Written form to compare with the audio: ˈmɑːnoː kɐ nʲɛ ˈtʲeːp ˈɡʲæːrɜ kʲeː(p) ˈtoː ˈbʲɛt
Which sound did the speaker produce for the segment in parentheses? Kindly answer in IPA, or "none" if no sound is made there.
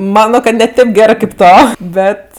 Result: p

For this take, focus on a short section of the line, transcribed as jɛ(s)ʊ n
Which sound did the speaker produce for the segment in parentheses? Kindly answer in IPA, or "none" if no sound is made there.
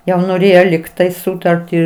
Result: none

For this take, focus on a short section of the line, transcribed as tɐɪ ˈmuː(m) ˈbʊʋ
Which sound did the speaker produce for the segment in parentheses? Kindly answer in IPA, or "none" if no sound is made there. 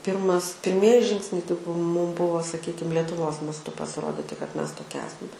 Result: m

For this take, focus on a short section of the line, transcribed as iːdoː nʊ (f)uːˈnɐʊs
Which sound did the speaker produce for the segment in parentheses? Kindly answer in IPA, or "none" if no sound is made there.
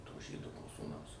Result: s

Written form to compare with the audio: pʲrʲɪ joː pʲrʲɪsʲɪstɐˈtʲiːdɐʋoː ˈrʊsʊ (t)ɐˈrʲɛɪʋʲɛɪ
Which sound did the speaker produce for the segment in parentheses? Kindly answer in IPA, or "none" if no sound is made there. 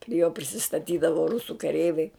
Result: k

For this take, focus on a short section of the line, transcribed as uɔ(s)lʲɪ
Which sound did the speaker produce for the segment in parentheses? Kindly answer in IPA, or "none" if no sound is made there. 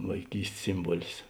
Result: none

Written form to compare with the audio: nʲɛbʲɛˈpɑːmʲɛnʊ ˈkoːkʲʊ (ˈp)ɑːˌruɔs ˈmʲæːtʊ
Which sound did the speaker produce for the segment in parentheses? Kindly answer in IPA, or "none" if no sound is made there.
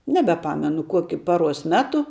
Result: p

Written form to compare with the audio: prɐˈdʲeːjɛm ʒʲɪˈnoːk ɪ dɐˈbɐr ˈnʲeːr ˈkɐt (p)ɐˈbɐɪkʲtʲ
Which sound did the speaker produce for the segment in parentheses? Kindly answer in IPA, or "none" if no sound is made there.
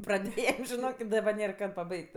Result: p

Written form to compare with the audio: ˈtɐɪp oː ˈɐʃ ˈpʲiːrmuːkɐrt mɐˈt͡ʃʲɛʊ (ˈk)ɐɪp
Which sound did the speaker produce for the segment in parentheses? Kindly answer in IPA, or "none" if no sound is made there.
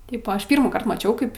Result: k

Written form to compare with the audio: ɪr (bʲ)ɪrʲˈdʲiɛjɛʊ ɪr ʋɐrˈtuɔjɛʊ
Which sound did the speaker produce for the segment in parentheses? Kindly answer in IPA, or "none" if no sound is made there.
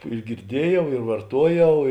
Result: ɡʲ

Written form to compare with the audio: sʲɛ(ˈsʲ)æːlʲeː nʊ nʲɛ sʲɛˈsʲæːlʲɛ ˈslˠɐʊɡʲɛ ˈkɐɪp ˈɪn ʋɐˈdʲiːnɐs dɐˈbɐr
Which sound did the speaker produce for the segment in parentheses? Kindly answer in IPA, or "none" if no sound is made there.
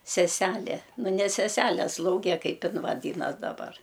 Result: sʲ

